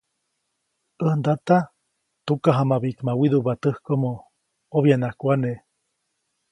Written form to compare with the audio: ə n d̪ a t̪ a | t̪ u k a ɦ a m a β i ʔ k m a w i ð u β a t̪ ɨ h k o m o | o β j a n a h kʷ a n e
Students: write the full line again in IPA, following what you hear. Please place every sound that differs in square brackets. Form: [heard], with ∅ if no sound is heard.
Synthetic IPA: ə n d̪ a t̪ a | t̪ u k a ɦ a m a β i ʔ k m a w i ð u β a t̪ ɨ h k o m o | o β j a n a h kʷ a n e